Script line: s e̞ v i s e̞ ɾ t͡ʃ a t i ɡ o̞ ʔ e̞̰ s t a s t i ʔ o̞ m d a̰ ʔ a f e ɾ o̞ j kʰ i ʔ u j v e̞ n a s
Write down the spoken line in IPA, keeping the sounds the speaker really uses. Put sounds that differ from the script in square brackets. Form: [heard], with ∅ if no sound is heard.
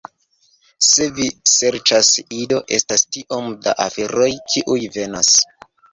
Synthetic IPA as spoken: s e̞ v i s e̞ ɾ t͡ʃ a [s] i [d] o̞ ʔ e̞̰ s t a s t i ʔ o̞ m d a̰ ʔ a f e ɾ o̞ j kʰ i ʔ u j v e̞ n a s